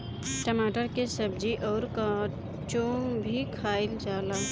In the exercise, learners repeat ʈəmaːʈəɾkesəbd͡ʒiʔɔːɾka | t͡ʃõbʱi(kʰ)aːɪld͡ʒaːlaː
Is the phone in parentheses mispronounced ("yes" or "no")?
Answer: no